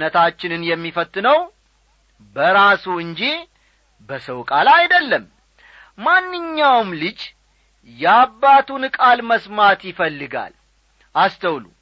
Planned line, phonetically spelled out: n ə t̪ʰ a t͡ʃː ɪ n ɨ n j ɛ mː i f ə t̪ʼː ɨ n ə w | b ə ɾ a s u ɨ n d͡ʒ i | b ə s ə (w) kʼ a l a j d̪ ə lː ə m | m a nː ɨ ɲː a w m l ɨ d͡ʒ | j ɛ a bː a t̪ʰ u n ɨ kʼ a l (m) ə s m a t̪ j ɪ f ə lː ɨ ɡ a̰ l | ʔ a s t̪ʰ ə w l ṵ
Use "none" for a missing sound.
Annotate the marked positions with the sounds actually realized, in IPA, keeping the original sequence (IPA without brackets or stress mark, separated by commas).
w, m